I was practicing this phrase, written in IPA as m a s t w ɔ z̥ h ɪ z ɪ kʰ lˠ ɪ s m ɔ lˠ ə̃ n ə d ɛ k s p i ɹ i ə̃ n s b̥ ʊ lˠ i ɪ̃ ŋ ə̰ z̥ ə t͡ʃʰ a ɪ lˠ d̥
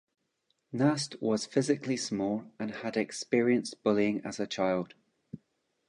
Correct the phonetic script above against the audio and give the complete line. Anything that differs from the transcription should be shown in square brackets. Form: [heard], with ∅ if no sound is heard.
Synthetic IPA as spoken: [n] a s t w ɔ z̥ [f] ɪ z ɪ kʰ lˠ [i] s m ɔ lˠ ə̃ n ə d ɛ k s p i ɹ i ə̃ n s b̥ ʊ lˠ i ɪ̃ ŋ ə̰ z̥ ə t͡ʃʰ a ɪ lˠ d̥

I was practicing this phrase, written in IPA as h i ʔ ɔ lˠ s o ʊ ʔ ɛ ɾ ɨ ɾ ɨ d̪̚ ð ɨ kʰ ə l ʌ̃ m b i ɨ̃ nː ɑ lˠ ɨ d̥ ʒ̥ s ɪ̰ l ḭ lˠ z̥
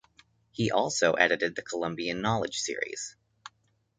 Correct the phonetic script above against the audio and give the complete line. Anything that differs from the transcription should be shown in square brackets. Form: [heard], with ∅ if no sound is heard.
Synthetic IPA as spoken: h i ʔ ɔ lˠ s o ʊ ʔ ɛ ɾ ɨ ɾ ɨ d̪̚ ð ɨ kʰ ə l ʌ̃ m b i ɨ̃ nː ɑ lˠ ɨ d̥ ʒ̥ s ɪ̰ [ɹ] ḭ [∅] z̥

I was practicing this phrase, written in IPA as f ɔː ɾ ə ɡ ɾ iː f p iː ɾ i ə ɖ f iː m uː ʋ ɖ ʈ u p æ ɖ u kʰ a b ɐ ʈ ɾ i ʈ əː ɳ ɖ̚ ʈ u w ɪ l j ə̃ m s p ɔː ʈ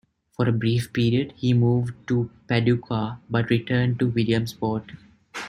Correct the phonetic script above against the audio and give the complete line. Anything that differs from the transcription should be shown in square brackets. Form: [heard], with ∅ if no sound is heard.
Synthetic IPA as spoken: f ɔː ɾ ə [b] ɾ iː f p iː ɾ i ə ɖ [h] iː m uː ʋ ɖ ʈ u p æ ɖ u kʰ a b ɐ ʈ ɾ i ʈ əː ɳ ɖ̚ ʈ u [ʋ] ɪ l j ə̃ m s p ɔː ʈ

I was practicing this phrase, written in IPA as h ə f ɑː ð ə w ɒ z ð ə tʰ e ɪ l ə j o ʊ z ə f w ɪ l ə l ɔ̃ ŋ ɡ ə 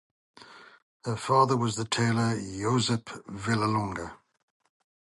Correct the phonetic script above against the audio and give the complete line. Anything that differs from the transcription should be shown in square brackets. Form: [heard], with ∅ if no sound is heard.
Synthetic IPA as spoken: h ə f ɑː ð ə w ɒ z ð ə tʰ e ɪ l ə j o ʊ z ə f [v] ɪ l ə l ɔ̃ ŋ ɡ ə

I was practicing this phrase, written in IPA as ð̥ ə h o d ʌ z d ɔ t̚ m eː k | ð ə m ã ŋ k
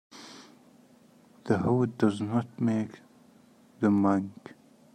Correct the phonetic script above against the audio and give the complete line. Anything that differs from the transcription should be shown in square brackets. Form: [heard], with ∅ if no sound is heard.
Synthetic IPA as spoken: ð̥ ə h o d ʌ z [n] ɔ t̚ m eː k | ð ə m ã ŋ k

